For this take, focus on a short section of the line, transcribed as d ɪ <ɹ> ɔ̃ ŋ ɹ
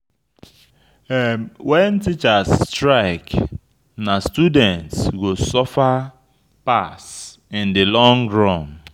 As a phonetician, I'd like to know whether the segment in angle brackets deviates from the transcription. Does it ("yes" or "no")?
yes